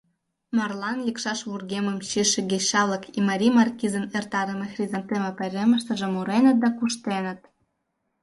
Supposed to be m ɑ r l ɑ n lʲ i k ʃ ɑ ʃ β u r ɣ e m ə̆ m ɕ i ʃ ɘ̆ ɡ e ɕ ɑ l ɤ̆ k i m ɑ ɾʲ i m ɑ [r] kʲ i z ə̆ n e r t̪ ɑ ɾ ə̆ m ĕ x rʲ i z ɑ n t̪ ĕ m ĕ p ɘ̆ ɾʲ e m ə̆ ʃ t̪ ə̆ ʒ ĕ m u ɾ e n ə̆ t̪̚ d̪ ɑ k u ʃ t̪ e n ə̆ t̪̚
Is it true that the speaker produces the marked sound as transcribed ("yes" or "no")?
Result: yes